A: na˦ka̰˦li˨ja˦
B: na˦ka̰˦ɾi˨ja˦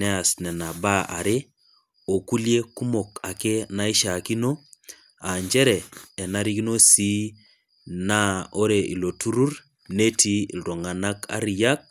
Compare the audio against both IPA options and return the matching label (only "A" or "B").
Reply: B